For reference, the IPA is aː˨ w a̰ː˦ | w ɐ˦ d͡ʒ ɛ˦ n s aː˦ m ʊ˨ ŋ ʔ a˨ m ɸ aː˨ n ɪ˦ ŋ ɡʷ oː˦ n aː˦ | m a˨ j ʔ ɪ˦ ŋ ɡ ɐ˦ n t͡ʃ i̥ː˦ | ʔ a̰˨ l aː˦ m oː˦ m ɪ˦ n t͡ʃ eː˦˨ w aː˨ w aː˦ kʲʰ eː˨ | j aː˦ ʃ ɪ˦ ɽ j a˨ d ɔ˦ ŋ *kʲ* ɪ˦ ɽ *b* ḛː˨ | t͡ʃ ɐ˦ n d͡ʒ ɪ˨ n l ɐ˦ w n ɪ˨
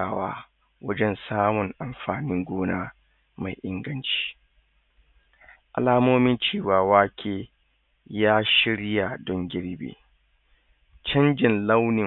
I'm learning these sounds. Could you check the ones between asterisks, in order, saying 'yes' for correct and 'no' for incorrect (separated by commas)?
no, yes